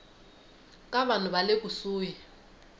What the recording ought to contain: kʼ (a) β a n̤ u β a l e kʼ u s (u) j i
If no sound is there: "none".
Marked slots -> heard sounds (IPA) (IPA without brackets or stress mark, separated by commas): a, uː